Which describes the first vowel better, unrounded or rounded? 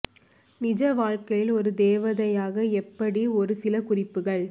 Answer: unrounded